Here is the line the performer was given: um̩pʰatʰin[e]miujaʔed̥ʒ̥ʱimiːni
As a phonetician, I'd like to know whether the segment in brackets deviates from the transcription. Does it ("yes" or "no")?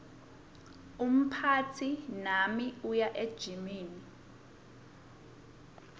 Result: yes